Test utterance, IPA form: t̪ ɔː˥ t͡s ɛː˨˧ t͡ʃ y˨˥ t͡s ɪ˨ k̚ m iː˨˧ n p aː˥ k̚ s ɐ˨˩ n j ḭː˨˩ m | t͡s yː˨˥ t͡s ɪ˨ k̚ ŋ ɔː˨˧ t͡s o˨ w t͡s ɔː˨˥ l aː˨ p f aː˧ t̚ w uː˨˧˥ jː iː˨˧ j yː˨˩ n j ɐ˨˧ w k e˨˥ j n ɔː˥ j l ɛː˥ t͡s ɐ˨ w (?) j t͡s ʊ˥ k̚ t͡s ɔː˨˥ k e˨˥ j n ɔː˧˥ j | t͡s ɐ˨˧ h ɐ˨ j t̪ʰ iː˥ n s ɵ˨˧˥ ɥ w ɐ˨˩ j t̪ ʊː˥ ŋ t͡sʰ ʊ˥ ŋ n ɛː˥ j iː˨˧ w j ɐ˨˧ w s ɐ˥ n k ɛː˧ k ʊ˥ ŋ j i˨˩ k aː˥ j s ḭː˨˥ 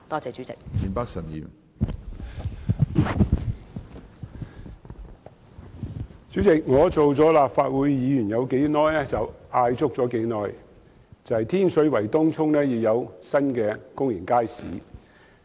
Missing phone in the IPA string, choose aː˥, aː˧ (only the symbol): aː˧